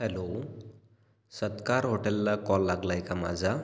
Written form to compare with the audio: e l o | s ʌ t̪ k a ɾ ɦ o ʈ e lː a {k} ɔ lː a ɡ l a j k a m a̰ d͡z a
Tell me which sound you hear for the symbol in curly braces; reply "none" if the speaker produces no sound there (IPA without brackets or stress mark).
k